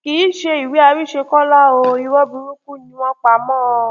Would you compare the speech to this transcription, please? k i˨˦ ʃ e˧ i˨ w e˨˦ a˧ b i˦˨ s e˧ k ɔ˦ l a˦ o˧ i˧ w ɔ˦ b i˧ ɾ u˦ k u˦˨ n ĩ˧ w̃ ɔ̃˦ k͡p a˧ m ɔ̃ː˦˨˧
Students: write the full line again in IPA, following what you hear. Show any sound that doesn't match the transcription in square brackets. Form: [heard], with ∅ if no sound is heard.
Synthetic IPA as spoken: k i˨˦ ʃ e˧ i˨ w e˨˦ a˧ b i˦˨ [ʃ] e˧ k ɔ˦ l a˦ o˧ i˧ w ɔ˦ b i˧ ɾ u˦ k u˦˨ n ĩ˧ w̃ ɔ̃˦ k͡p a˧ m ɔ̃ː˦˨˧